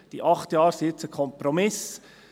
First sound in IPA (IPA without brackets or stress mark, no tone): d̥